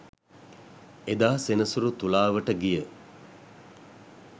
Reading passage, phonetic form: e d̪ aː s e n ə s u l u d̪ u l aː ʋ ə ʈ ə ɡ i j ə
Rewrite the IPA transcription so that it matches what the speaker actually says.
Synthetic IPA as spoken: e d̪ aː s e n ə s u ɾ u t̪ u l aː ʋ ə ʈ ə ɡ i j ə

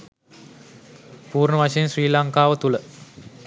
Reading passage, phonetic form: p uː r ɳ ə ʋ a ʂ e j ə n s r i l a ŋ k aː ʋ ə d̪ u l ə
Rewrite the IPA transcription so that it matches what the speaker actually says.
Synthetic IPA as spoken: p uː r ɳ ə ʋ a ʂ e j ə n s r iː l a ŋ k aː ʋ ə t̪ u l ə

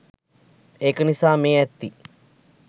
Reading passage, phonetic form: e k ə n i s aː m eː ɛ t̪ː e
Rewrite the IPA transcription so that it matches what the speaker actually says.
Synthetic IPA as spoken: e k ə n i s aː m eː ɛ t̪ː i

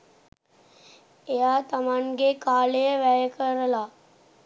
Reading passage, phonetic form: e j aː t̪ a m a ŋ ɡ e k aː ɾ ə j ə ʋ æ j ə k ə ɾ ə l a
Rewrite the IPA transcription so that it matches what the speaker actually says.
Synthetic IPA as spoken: e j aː t̪ a m a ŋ ɡ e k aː l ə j ə ʋ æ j ə k ə ɾ ə l a

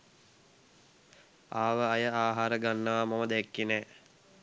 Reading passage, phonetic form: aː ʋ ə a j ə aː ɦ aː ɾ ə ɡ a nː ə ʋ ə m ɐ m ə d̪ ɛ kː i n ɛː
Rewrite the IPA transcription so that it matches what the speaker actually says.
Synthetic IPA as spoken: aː ʋ ə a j ə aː ɦ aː ɾ ə ɡ a nː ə ʋ a m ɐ m ə d̪ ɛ kː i n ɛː

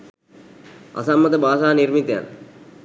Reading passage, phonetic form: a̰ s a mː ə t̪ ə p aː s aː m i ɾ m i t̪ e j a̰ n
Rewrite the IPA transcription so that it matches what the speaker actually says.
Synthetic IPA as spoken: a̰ s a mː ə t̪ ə b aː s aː n i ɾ m i t̪ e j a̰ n

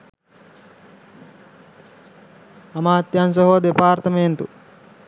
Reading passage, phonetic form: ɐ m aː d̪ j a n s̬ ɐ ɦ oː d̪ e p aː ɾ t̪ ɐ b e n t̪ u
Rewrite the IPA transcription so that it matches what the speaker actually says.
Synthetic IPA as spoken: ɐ m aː t̪ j a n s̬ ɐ ɦ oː d̪ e p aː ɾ t̪ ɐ m e n t̪ u

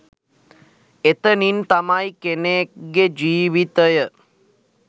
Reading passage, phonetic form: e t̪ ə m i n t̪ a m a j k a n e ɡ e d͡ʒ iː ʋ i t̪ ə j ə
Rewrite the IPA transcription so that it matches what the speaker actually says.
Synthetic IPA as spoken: e t̪ ə n i n t̪ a m a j k e n e ɡ e d͡ʒ iː ʋ i t̪ ə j ə

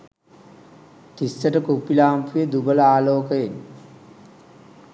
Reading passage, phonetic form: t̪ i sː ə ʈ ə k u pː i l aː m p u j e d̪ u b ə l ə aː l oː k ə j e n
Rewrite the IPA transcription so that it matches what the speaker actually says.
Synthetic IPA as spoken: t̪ i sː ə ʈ ə k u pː i l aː m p u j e d̪ u b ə l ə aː l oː k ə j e n

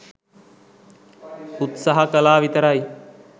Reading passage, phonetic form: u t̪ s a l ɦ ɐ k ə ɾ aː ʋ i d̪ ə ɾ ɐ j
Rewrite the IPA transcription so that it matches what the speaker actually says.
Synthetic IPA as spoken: u t̪ s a ɦ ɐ k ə l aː ʋ i t̪ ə ɾ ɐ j

